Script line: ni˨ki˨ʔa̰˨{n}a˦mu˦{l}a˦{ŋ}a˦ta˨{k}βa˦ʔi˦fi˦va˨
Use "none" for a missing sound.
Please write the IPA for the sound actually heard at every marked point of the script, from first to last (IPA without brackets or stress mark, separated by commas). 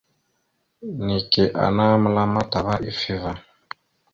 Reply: n, l, m, none